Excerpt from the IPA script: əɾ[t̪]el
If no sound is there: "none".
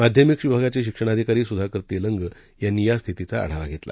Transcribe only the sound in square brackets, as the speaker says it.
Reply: t̪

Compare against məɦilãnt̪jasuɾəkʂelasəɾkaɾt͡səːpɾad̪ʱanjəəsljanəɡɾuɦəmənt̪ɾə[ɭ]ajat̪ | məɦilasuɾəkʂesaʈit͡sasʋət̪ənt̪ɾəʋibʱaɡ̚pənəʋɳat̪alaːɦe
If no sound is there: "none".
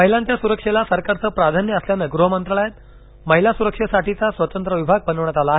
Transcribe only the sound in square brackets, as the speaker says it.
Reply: ɭ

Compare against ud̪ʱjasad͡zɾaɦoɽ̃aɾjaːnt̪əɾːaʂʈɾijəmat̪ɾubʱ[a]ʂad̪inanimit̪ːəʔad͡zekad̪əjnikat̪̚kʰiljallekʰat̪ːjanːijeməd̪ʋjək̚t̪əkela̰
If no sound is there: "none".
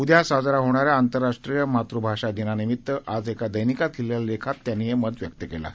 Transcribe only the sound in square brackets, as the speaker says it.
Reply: a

